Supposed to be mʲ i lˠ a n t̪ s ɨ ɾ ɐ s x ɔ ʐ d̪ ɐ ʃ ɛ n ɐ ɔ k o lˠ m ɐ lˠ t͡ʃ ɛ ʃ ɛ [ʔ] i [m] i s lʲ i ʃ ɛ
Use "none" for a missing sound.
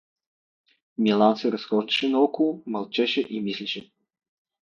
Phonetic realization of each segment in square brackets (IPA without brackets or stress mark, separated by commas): ʔ, m